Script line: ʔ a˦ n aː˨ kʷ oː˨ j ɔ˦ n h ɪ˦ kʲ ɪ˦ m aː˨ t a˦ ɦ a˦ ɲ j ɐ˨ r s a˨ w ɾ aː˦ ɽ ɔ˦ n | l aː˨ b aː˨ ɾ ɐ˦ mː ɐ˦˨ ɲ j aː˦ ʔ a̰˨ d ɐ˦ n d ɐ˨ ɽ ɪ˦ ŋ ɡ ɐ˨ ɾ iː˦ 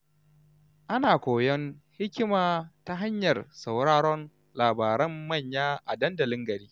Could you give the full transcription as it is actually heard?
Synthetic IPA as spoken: ʔ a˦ n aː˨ kʷ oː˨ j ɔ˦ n h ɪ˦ kʲ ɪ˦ m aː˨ t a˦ ɦ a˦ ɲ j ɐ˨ r s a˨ w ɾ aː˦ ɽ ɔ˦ n | l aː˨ b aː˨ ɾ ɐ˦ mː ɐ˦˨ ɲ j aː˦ ʔ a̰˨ d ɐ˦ n d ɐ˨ l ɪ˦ ŋ ɡ ɐ˨ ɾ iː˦

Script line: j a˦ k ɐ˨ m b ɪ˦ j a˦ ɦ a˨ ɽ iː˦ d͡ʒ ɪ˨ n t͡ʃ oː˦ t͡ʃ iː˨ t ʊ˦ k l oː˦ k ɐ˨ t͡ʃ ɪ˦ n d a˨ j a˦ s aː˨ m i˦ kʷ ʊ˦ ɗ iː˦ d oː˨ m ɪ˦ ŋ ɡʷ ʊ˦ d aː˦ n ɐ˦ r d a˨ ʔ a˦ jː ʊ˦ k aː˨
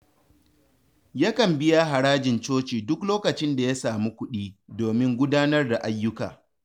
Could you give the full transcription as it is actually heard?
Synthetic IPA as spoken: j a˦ k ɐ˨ m b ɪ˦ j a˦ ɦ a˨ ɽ aː˦ d͡ʒ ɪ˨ n t͡ʃ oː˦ t͡ʃ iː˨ d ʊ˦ k l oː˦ k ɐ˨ t͡ʃ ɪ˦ n d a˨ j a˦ s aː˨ m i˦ kʷ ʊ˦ ɗ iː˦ d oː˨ m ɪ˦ ŋ ɡʷ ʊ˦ d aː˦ n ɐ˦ r d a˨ ʔ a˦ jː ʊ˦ k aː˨

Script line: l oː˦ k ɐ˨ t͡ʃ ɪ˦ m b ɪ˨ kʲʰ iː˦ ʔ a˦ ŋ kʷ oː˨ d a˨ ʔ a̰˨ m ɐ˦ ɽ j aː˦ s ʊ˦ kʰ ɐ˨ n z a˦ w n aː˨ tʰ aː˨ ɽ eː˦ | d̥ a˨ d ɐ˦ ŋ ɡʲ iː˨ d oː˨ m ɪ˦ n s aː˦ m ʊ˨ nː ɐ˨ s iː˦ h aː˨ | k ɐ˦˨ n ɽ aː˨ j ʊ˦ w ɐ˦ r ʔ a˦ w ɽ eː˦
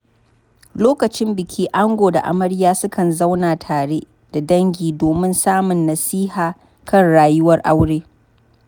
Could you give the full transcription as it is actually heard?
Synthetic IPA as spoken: l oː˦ k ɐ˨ t͡ʃ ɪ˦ m b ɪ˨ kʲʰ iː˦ ʔ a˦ ŋ ɡʷ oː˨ d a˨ ʔ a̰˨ m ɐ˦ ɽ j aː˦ s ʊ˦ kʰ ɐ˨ n z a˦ w n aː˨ tʰ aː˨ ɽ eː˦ | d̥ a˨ d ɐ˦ ŋ ɡʲ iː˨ d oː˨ m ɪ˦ n s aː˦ m ʊ˨ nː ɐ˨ s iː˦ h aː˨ | k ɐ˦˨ n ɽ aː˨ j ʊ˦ w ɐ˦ r ʔ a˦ w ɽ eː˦

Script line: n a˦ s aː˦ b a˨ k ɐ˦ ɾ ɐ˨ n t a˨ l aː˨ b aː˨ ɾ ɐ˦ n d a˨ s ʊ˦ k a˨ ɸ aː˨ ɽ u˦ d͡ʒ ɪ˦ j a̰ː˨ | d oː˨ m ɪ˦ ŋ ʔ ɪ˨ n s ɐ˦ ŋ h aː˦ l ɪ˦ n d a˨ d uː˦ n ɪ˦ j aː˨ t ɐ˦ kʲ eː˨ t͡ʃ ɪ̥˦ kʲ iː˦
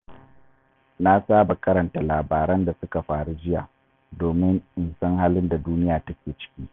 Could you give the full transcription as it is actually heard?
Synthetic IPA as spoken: n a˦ s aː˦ b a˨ k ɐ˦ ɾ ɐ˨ n t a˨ l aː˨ b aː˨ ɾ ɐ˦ n d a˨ s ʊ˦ k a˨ ɸ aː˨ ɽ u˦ d͡ʒ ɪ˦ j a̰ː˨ | d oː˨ m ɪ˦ ŋ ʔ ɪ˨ n s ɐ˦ ŋ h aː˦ l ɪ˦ n d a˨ d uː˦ n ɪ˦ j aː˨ t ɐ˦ kʲ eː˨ t͡ʃ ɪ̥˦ kʲ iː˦

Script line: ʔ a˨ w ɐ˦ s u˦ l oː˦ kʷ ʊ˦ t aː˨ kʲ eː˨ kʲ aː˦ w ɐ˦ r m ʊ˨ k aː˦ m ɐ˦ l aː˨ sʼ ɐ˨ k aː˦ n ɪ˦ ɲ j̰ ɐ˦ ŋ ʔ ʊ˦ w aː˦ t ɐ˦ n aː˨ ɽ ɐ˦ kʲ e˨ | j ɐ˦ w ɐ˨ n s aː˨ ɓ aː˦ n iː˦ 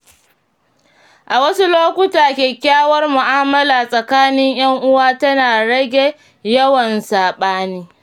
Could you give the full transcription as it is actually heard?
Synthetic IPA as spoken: ʔ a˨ w ɐ˦ s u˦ l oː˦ kʷ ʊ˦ t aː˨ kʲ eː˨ kʲ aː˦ w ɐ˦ r m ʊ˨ ʔ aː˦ m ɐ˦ l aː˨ sʼ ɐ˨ k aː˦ n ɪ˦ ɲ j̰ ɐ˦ ŋ ʔ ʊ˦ w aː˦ t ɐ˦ n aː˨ ɽ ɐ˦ ɡʲ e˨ | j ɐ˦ w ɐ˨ n s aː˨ ɓ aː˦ n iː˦

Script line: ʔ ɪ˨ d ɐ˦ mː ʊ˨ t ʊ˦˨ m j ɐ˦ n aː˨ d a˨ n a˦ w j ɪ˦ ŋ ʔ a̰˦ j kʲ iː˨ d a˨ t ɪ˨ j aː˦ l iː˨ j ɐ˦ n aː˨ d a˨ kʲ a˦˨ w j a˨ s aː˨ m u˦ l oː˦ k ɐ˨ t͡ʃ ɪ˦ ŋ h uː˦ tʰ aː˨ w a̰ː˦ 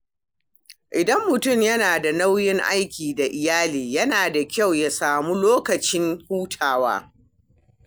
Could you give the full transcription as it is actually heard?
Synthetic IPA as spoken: ʔ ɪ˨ d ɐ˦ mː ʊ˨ t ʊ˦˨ m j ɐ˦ n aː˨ d a˨ n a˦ w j ɪ˦ ŋ ʔ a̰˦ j kʲ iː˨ d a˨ ʔ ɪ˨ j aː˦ l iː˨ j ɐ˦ n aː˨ d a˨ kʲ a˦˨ w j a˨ s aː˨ m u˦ l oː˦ k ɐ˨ t͡ʃ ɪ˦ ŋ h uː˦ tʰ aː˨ w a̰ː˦

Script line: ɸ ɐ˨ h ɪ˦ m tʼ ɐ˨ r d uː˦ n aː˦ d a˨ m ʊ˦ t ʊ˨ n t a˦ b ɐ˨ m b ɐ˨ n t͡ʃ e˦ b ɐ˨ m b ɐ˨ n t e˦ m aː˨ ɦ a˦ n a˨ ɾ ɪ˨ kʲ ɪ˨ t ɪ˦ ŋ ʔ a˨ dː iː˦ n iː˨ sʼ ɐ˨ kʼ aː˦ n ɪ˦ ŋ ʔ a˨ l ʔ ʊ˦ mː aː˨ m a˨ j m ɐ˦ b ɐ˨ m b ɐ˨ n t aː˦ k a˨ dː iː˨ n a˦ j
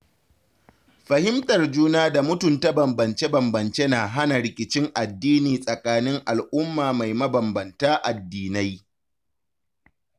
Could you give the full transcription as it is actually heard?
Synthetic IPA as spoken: ɸ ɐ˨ h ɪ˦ m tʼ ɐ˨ r d͡ʒ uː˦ n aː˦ d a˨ m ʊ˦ t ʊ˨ n t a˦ b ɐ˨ m b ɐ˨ n t͡ʃ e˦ b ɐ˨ m b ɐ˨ n t͡ʃ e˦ n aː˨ ɦ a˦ n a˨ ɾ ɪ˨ kʲ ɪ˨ t͡ʃ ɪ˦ ŋ ʔ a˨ dː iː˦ n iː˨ sʼ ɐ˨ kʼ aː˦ n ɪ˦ ŋ ʔ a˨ l ʔ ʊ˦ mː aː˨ m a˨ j m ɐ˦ b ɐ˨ m b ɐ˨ n t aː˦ ʔ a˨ dː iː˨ n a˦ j

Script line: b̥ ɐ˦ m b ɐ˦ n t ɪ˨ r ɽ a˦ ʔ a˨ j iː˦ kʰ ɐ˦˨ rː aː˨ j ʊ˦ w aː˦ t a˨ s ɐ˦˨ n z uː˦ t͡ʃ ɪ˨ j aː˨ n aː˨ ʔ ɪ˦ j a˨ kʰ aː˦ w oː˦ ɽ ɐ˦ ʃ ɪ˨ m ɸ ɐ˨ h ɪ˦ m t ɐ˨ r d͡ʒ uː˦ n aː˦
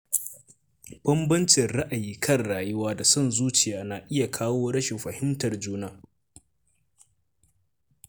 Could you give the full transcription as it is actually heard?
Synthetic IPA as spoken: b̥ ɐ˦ m b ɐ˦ n t͡ʃ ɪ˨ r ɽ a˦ ʔ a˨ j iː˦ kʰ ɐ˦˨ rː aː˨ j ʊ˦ w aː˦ d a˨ s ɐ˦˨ n z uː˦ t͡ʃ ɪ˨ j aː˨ n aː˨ ʔ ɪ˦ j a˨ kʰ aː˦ w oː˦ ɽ ɐ˦ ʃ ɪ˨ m ɸ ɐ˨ h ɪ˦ m t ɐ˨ r d͡ʒ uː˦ n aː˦

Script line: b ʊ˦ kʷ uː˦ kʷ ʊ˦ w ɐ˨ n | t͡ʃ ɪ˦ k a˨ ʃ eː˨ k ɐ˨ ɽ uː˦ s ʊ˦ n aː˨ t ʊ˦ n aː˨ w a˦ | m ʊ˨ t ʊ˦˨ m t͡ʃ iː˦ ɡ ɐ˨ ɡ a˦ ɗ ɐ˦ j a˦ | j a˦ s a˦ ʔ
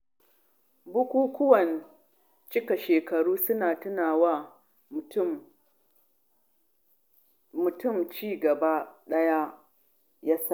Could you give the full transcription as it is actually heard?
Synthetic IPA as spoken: b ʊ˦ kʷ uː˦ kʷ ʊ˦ w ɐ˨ n | t͡ʃ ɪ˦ k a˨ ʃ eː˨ k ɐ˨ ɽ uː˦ s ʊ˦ n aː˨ t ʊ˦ n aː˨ w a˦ | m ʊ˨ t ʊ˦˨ m t͡ʃ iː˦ ɡ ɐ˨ b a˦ ɗ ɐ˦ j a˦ | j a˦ s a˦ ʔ

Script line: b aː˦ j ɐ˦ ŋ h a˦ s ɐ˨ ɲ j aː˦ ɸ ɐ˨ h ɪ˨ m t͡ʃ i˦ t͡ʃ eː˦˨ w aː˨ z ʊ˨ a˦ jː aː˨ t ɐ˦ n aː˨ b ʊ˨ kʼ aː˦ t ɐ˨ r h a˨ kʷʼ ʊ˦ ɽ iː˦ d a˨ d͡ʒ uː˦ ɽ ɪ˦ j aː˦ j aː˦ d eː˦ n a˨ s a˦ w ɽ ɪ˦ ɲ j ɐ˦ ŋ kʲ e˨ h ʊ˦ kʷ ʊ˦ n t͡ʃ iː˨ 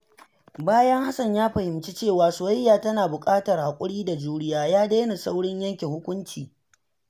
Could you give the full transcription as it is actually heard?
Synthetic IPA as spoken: b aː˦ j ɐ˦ ŋ h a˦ s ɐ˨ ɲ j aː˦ ɸ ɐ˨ h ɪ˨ m t͡ʃ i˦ t͡ʃ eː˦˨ w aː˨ s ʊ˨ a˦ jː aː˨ t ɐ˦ n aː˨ b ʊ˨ kʼ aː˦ t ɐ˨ r h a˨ kʷʼ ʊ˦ ɽ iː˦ d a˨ d͡ʒ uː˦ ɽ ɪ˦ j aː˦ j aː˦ d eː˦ n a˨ s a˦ w ɽ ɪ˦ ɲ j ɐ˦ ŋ kʲ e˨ h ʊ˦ kʷ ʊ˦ n t͡ʃ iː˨

